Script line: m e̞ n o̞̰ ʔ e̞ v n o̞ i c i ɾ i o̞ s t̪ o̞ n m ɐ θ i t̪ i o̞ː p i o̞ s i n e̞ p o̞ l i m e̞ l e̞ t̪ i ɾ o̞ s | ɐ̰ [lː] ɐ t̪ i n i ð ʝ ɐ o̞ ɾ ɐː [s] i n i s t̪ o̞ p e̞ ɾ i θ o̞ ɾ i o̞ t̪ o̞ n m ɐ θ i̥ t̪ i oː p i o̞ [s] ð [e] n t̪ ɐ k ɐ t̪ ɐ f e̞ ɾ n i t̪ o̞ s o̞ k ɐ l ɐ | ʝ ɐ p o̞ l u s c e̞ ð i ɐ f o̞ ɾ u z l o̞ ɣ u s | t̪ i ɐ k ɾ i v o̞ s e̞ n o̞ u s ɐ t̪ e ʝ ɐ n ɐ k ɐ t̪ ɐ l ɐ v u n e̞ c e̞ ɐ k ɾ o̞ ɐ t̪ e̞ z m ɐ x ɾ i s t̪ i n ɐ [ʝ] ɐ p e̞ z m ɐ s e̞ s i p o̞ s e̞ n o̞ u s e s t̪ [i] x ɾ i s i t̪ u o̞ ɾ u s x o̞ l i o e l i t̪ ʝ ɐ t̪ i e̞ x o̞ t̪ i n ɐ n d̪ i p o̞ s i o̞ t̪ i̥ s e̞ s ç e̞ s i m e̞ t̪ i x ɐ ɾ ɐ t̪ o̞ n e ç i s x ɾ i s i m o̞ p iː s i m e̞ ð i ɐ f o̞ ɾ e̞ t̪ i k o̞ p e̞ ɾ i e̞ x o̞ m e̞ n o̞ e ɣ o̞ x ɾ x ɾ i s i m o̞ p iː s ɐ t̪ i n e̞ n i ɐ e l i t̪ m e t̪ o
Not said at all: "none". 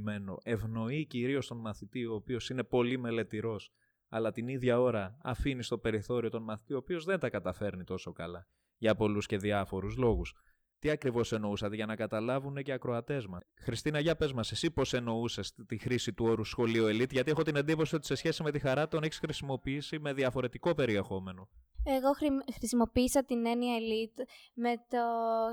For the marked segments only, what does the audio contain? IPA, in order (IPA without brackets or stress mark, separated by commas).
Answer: l, f, z, e, ʝ, i